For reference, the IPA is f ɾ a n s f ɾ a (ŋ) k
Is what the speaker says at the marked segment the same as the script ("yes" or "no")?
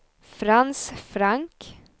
yes